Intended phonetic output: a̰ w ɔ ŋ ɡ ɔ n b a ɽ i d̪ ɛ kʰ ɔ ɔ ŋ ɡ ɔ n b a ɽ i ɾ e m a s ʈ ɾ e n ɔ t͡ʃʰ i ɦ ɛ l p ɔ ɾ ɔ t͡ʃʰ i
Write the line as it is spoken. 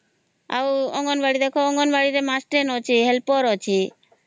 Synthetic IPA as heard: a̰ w ɔ ŋ ɡ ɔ n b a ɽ i d̪ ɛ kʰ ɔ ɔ ŋ ɡ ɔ n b a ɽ i ɾ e m a s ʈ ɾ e n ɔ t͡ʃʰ i ɦ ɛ l p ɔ ɾ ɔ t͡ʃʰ i

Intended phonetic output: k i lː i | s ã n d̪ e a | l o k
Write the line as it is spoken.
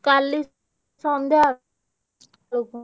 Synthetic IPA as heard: k a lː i | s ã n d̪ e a | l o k

